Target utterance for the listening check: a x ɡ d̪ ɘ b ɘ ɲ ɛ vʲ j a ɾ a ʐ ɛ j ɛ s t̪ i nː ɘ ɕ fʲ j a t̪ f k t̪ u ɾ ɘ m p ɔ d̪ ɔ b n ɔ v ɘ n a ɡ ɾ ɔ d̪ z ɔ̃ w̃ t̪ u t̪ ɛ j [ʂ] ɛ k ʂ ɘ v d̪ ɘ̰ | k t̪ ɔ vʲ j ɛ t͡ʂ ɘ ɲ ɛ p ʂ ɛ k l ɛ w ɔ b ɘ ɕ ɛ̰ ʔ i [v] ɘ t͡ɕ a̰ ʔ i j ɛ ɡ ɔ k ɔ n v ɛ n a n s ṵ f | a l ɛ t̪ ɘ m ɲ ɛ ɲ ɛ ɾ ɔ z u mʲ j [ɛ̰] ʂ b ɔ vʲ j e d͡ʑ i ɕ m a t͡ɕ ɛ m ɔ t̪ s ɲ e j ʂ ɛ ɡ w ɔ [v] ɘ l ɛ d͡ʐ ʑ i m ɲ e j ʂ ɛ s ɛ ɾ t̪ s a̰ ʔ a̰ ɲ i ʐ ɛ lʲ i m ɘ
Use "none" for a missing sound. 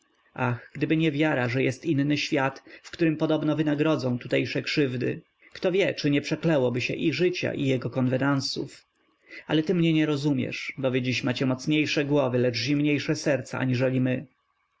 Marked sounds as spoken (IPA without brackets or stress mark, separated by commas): ʂ, ʐ, ɛ̰, v